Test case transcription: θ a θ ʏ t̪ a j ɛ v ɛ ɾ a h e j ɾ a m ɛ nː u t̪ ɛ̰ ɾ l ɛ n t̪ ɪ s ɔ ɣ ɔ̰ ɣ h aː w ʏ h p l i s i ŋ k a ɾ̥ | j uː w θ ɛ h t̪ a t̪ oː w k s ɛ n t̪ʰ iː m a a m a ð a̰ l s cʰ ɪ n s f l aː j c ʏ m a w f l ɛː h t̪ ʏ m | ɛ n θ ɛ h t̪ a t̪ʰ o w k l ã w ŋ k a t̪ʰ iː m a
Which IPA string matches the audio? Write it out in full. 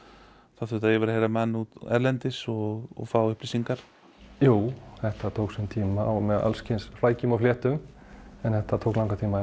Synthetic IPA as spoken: θ a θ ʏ t̪ a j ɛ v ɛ ɾ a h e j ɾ a m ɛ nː u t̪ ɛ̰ ɾ l ɛ n t̪ ɪ s ɔ ɣ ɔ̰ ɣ f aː w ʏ h p l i s i ŋ k a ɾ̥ | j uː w θ ɛ h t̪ a t̪ʰ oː w k s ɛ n t̪ʰ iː m a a m ɛ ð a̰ l s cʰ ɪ n s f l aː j c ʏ m a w f l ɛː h t̪ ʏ m | ɛ n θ ɛ h t̪ a t̪ʰ o w k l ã w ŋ k a t̪ʰ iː m a